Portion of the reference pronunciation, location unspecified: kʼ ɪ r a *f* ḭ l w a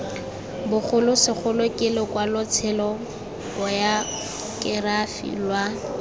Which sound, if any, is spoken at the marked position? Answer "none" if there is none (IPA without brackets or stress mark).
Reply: f